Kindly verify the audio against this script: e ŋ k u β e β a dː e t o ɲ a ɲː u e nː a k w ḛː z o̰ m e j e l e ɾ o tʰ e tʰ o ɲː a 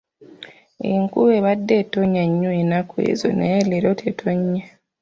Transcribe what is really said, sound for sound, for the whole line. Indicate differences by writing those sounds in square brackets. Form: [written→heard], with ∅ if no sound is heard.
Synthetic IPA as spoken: e ŋ k u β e β a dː e t o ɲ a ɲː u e [nː→n] a k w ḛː z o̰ [m→n] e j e l e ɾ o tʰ e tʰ o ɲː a